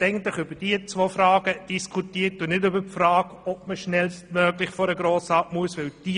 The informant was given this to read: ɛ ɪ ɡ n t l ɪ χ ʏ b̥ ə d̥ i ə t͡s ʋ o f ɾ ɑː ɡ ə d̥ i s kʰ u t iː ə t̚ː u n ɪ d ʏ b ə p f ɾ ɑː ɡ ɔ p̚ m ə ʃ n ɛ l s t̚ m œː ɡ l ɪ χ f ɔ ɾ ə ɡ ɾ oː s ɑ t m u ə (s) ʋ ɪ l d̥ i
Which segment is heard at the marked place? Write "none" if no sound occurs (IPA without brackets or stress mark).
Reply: s